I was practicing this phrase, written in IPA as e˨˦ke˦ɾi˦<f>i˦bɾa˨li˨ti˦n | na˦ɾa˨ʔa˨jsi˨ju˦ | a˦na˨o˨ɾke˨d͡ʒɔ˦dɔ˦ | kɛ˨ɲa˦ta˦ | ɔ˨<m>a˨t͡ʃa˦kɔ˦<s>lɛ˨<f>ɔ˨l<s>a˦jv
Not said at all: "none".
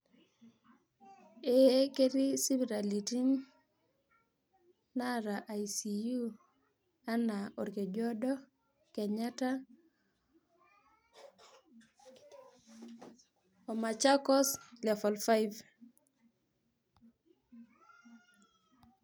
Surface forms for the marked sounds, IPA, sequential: s, m, s, f, f

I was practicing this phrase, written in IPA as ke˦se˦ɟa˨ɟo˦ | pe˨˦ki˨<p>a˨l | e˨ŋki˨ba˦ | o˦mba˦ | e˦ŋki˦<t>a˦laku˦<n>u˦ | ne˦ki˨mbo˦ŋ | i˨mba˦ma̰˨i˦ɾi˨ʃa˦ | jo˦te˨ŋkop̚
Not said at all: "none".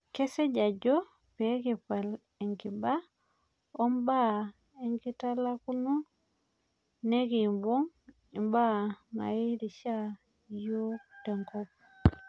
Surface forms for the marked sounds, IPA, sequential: p, t, n

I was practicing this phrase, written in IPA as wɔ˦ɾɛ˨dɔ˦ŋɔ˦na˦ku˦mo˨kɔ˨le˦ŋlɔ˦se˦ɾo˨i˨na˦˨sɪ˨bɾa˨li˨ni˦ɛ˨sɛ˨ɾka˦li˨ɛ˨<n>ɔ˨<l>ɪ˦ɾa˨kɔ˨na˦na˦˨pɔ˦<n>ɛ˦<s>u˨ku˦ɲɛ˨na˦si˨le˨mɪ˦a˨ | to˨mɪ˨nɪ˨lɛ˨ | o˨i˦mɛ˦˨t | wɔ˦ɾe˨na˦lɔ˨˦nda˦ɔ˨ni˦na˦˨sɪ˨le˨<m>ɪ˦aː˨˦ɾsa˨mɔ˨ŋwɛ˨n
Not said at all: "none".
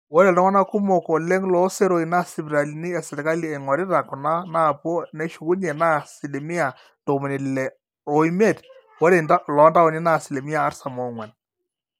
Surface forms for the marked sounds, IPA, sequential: ŋ, ɾ, n, ʃ, m

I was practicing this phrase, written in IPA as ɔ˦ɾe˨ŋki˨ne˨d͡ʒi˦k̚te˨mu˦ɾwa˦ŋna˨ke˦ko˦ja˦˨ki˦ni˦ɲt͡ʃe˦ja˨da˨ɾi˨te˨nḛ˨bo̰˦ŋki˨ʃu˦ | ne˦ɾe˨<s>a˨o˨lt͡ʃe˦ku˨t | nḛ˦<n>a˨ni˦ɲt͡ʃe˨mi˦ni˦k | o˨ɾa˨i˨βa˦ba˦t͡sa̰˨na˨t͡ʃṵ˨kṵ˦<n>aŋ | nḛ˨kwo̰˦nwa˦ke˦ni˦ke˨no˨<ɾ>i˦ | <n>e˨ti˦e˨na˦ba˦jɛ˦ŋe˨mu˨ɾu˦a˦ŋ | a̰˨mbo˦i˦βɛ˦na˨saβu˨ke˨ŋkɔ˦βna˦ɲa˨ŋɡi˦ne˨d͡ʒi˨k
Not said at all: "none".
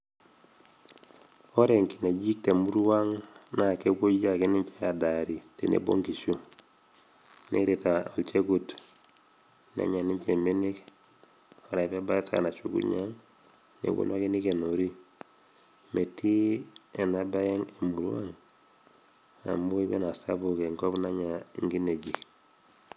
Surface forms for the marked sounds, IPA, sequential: t, ɲ, ɲ, ɾ, m

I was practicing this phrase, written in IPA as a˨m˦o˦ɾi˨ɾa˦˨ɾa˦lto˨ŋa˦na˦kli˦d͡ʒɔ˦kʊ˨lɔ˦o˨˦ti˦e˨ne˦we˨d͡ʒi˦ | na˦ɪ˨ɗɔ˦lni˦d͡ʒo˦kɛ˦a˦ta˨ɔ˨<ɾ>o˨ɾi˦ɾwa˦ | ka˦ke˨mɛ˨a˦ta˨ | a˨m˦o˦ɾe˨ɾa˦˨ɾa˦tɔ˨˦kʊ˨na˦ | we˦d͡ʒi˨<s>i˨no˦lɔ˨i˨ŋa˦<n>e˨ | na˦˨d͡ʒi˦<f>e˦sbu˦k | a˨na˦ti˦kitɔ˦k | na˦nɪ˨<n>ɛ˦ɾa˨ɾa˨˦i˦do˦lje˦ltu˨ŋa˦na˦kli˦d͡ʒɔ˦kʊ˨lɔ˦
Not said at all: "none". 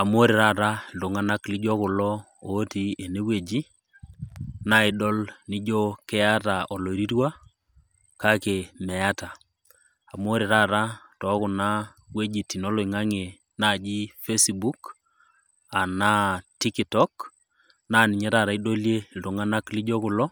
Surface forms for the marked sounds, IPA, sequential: l, t, ŋ, f, ɲ

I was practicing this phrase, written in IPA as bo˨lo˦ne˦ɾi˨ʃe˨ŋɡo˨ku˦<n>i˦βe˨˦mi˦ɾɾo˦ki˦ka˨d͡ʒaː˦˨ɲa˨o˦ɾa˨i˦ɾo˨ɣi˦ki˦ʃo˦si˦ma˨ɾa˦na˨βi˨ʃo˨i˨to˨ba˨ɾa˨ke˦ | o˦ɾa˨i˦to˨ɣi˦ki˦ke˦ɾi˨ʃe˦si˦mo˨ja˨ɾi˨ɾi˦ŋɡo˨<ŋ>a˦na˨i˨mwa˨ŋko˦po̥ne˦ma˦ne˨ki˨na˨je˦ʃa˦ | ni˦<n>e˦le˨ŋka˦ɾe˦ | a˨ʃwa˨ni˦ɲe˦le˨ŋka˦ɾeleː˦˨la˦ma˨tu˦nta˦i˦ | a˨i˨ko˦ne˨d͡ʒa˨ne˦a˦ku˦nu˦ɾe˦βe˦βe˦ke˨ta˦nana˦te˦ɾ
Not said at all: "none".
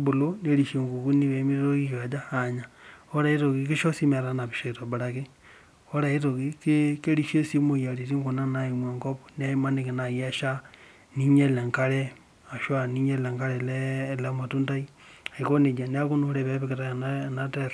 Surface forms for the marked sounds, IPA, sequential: n, n, ɲ

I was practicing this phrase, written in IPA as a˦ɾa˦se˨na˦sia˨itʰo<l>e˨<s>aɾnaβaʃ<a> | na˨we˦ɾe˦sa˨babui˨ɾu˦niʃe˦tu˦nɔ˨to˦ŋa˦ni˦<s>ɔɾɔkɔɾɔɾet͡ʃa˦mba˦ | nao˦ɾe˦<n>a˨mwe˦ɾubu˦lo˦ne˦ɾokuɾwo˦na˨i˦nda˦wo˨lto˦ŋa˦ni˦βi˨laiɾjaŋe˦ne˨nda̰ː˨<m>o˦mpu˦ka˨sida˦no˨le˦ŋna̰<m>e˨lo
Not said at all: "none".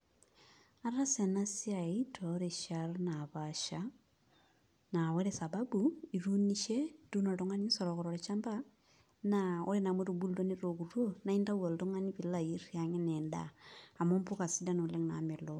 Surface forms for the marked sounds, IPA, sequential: ɾ, ʃ, a, s, n, m, m

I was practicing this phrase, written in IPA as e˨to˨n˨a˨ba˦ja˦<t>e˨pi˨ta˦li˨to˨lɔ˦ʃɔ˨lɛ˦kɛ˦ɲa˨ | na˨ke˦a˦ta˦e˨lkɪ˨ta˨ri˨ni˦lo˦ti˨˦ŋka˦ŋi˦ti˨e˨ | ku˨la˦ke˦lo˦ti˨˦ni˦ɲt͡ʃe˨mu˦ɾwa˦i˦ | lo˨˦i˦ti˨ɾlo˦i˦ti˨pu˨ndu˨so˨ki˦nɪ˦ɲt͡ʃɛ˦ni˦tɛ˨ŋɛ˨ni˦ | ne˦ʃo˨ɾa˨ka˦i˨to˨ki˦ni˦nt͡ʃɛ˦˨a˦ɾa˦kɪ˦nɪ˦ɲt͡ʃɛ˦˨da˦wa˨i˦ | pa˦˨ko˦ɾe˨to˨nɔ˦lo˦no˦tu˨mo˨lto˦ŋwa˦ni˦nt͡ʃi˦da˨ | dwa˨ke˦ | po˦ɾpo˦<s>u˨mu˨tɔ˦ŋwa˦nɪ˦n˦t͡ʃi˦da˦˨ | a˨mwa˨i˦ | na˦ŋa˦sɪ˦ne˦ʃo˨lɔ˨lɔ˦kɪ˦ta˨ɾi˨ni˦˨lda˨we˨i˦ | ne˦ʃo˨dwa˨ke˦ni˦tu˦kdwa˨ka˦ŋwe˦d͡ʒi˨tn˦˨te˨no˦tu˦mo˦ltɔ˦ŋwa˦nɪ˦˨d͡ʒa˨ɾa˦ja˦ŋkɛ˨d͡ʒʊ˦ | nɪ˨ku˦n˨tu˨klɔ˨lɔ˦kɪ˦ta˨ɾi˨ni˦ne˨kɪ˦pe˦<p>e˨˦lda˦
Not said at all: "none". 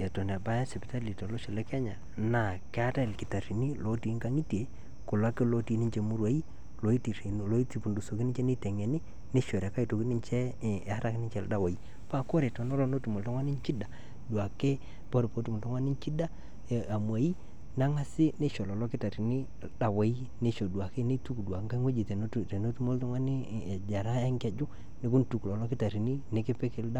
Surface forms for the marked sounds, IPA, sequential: s, t, k

